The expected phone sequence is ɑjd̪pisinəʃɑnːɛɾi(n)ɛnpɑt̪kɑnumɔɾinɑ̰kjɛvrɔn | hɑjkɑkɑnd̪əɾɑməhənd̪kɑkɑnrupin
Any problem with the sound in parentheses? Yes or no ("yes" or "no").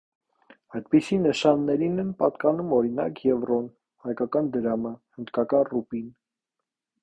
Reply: no